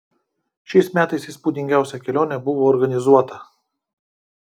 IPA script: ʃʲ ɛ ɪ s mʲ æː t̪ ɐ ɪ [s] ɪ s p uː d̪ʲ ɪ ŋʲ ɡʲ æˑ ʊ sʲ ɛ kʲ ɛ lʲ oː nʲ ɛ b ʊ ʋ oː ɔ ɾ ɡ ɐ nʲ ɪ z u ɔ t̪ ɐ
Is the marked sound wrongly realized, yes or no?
no